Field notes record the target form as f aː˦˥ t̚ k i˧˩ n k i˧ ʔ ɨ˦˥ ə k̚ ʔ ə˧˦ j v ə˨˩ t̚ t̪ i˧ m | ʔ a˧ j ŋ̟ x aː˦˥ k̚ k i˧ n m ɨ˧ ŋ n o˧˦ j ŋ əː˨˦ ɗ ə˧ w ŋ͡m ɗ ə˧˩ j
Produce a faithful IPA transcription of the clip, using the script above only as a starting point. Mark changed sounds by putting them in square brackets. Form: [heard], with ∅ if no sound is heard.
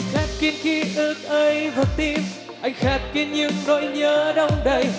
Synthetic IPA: [x] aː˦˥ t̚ k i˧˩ n k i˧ ʔ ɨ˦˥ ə k̚ ʔ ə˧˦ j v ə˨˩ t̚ t̪ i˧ m | ʔ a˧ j ŋ̟ x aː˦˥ [t̚] k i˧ n [ɲ] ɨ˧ ŋ n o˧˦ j [ɲ] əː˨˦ ɗ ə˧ w ŋ͡m ɗ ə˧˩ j